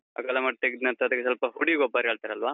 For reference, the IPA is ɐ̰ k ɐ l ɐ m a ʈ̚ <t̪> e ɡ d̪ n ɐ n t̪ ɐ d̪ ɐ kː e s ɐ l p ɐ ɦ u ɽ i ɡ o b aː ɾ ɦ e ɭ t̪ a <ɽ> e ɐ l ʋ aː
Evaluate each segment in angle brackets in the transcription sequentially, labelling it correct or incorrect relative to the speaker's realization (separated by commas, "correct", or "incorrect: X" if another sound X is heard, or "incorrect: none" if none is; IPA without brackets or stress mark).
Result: correct, incorrect: ɾ